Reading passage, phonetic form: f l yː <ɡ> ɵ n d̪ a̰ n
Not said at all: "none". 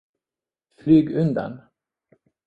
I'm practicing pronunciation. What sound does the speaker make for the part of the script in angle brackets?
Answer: ɡ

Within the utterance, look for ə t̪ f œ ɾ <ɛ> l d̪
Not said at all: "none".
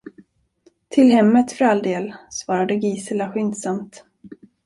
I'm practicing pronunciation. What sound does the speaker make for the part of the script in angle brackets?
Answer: a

